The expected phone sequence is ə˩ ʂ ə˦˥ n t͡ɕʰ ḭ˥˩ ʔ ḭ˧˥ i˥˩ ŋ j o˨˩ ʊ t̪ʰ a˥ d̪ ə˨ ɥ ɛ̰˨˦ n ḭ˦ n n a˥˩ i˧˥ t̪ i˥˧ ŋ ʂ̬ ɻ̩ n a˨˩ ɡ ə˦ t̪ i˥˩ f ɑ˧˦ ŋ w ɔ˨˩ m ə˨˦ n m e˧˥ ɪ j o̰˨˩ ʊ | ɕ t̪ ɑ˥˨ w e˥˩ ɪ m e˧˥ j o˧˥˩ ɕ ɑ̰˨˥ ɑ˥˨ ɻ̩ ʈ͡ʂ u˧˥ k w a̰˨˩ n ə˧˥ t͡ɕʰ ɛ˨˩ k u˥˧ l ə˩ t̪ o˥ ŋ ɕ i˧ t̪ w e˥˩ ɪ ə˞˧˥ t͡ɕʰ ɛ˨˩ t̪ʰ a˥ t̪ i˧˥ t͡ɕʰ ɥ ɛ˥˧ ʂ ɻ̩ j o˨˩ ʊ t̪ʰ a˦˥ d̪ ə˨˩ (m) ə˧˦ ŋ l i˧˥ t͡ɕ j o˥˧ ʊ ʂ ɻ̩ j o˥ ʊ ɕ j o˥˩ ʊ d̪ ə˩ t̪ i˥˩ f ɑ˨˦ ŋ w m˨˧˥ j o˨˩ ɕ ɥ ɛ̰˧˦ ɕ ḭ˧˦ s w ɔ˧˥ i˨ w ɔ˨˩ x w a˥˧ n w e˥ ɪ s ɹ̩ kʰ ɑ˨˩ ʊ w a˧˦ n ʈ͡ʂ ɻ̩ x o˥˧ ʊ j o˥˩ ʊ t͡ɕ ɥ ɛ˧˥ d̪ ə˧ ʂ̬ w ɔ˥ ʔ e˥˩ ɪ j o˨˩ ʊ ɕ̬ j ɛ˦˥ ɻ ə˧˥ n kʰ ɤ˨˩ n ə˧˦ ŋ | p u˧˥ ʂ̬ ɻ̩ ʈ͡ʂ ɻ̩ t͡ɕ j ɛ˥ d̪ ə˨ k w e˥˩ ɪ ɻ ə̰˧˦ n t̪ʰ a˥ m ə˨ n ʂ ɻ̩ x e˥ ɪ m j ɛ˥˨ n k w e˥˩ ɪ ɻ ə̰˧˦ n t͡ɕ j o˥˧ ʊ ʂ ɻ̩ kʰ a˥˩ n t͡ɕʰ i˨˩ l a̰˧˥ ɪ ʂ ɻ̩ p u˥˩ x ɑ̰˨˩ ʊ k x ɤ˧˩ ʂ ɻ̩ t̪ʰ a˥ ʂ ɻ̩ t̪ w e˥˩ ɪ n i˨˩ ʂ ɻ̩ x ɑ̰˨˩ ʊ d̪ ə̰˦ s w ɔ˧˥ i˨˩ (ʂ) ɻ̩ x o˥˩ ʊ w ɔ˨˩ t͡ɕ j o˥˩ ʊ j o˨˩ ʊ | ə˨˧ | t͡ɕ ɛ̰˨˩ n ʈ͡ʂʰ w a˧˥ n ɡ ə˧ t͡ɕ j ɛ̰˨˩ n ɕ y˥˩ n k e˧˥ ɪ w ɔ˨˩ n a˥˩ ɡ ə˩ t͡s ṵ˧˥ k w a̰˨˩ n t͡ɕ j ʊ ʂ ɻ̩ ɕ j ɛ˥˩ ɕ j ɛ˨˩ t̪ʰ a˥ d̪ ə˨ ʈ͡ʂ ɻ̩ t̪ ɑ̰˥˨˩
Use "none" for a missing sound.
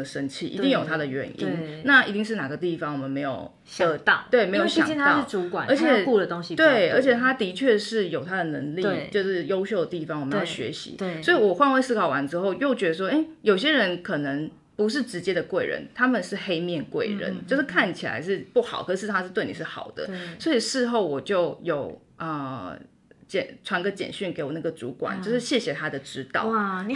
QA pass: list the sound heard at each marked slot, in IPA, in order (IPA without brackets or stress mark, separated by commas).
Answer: n, ʂ